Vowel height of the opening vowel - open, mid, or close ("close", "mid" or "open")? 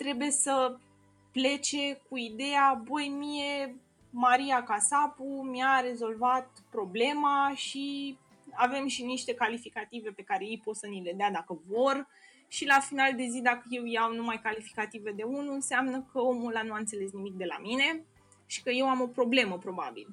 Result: mid